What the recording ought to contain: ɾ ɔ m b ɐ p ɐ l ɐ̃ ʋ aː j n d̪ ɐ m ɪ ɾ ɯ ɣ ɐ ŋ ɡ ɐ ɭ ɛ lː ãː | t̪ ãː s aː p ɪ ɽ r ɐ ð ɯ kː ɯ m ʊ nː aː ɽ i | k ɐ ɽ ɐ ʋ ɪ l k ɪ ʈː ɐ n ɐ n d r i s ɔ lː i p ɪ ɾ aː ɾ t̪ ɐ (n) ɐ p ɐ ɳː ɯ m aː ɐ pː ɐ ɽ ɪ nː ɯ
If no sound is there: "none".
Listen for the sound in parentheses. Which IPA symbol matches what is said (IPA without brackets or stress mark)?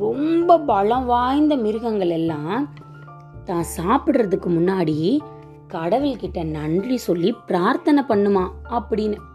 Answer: n